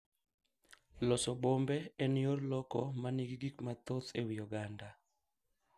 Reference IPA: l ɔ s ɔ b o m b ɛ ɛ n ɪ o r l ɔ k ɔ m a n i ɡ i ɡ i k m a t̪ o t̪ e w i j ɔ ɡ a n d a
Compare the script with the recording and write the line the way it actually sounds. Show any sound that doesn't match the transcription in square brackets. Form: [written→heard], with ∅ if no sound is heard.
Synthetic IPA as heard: l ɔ s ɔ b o m b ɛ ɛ n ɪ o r l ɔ k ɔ m a n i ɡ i ɡ i k m a t̪ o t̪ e w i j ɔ ɡ a n d a

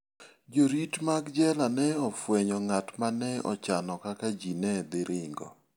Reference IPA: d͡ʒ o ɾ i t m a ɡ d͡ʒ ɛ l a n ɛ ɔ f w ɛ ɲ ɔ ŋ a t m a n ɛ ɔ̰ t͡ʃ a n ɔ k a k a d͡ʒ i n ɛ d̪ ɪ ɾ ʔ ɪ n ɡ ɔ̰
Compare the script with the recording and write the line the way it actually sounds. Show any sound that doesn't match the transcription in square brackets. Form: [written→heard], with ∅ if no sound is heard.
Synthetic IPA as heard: d͡ʒ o ɾ i t m a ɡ d͡ʒ ɛ l a n ɛ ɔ f w ɛ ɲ ɔ ŋ a t m a n ɛ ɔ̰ t͡ʃ a n ɔ k a k a d͡ʒ i n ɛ d̪ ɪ ɾ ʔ ɪ [n→ŋ] ɡ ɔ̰

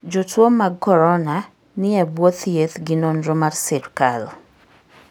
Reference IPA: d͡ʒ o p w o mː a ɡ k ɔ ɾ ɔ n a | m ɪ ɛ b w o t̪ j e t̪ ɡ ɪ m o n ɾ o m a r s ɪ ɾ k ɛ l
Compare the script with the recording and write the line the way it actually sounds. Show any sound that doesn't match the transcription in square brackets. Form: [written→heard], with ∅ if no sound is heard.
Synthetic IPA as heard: d͡ʒ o [p→t] w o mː a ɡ k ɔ ɾ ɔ n a | [m→n] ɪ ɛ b w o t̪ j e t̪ ɡ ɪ [m→n] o n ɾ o m a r s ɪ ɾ k [ɛ→a] l

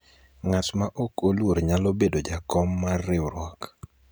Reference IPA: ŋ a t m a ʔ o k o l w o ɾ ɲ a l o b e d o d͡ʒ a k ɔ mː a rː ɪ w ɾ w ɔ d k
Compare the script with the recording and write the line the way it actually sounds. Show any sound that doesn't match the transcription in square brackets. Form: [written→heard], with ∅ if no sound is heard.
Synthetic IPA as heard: ŋ a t m a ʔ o k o l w o ɾ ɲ a l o b e d o d͡ʒ a k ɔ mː a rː ɪ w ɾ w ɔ [d→∅] k

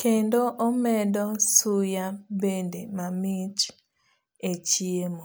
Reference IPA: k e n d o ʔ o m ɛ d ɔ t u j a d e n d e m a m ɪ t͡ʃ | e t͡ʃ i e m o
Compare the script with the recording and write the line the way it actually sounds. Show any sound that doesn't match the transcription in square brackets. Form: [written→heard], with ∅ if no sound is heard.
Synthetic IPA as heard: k e n d o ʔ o m ɛ d ɔ [t→s] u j a [d→b] e n d e m a m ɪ t͡ʃ | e t͡ʃ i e m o

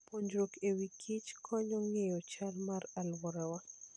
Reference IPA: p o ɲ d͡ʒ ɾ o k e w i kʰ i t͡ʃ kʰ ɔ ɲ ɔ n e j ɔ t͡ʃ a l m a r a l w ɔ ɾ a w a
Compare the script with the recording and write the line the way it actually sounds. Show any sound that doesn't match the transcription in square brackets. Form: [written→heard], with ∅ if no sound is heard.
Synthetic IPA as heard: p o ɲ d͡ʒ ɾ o k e w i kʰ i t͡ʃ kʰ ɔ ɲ ɔ [n→ŋ] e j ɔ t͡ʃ a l m a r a l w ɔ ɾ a w a

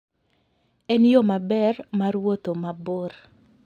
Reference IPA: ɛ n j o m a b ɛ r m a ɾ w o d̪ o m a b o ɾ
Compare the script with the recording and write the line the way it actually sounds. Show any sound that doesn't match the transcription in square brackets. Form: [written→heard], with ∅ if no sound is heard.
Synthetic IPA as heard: ɛ n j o m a b ɛ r m a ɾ w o [d̪→t̪] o m a b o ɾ

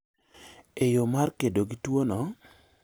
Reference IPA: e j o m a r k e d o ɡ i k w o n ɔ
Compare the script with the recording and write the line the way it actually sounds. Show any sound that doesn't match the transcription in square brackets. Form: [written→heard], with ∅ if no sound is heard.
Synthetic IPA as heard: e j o m a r k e d o ɡ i [k→t] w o n ɔ

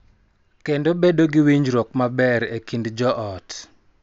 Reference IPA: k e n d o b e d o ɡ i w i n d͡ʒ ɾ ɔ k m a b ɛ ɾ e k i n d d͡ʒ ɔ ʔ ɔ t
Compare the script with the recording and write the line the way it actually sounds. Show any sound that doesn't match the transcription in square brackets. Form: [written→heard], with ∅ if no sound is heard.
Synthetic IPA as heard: k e n d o b e d o ɡ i w i [n→ɲ] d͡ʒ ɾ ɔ k m a b ɛ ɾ e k i n d d͡ʒ ɔ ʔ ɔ t

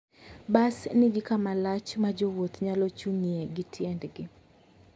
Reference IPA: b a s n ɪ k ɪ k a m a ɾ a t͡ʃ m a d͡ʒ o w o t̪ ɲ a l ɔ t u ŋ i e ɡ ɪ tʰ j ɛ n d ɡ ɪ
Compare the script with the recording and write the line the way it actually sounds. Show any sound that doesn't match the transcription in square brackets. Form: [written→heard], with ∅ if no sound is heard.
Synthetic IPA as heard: b a s n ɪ [k→ɡ] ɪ k a m a [ɾ→l] a t͡ʃ m a d͡ʒ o w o t̪ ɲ a l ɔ [t→t͡ʃ] u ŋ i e ɡ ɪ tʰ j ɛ n d ɡ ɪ

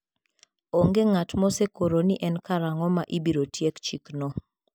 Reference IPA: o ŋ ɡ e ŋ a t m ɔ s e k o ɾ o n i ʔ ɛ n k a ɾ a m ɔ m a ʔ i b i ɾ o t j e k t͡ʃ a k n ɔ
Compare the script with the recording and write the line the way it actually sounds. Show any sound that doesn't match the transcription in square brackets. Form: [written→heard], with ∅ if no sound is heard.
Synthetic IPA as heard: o ŋ ɡ e ŋ a t m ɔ s e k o ɾ o n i ʔ ɛ n k a ɾ a [m→ŋ] ɔ m a ʔ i b i ɾ o t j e k t͡ʃ [a→i] k n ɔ

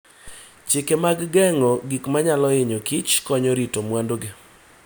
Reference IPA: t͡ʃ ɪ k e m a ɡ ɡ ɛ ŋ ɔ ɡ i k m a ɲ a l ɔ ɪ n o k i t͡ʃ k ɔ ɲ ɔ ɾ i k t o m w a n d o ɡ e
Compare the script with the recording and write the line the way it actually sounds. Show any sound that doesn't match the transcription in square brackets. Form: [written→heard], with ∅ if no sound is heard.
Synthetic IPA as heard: t͡ʃ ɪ k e m a ɡ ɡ ɛ ŋ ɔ ɡ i k m a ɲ a l ɔ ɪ [n→ɲ] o k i t͡ʃ k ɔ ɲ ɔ ɾ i [k→∅] t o m w a n d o ɡ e

